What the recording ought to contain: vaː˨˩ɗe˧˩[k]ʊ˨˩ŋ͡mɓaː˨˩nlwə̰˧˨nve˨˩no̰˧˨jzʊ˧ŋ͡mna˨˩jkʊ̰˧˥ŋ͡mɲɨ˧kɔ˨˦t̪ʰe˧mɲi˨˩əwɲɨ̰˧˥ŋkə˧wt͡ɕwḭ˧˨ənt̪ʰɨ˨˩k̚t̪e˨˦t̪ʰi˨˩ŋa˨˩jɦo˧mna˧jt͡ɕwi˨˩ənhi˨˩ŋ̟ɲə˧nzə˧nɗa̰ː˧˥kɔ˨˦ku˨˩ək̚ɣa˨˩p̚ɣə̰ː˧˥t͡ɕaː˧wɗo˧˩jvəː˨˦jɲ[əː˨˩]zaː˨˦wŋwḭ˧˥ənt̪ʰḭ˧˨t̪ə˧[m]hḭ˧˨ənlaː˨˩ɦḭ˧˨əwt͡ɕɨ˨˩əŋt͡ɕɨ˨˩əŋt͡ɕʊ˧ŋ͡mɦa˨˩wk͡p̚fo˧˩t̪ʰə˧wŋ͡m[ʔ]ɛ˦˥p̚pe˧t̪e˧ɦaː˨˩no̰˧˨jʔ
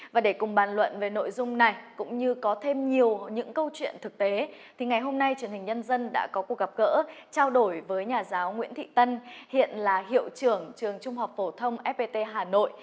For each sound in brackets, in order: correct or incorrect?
correct, incorrect: aː˨˩, incorrect: n, correct

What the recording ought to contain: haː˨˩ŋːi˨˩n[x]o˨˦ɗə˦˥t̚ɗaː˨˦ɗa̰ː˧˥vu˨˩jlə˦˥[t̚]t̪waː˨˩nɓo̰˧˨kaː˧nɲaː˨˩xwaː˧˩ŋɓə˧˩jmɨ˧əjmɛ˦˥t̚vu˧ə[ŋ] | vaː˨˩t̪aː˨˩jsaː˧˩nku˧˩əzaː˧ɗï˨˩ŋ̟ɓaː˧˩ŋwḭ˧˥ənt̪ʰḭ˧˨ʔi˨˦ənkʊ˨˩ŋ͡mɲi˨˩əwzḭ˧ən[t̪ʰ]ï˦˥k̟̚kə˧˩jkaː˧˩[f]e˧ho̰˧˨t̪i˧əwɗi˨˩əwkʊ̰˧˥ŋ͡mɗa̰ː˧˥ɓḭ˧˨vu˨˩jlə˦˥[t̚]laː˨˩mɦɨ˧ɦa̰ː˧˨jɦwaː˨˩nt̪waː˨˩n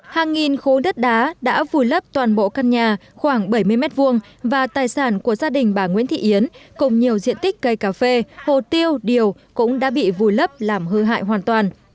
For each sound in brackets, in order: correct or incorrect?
correct, incorrect: p̚, correct, incorrect: t̪, correct, incorrect: p̚

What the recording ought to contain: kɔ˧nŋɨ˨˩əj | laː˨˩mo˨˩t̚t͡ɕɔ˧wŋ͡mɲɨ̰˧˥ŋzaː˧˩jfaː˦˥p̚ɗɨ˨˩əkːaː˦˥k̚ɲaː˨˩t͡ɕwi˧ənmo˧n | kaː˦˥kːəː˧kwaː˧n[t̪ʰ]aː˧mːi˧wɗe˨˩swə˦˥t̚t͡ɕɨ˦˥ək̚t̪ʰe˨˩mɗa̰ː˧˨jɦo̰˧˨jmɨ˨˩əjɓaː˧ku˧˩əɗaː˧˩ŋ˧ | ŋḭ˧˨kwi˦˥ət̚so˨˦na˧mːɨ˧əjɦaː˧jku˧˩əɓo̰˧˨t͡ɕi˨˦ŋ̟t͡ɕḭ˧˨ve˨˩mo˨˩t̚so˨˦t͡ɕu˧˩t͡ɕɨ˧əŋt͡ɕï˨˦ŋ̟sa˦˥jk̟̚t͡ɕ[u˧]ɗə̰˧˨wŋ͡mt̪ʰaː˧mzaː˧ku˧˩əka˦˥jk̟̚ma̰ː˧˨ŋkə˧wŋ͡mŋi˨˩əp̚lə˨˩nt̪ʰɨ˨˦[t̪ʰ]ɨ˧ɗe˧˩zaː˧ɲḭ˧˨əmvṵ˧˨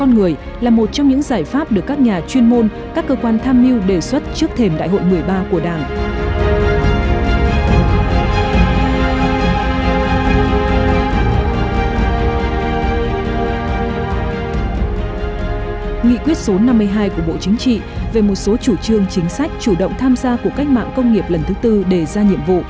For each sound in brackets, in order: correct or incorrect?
correct, incorrect: u˧˩, incorrect: t̪

